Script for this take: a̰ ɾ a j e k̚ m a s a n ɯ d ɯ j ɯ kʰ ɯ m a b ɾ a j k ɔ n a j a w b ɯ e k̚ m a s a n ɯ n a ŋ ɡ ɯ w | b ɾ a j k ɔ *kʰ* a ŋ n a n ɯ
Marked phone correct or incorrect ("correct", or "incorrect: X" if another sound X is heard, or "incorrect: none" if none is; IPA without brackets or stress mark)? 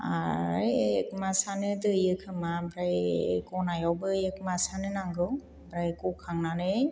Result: correct